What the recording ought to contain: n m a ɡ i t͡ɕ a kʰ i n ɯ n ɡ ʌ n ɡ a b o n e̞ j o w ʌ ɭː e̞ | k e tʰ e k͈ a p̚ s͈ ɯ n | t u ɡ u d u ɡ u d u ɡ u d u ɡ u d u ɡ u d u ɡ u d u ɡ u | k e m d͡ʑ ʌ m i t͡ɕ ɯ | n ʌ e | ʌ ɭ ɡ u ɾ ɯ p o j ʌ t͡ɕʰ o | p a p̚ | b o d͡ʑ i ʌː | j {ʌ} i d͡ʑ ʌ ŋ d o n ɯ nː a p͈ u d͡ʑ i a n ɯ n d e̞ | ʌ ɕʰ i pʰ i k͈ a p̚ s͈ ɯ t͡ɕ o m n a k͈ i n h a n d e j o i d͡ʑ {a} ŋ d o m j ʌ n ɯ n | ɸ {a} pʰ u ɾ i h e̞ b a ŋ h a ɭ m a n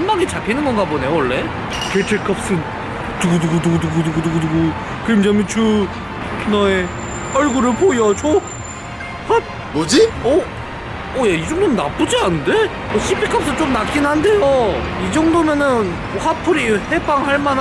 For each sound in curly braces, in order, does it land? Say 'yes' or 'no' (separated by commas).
no, no, yes